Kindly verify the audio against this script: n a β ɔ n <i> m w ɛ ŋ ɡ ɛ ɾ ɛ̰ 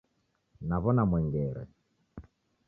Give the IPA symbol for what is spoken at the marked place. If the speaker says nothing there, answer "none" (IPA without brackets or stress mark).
a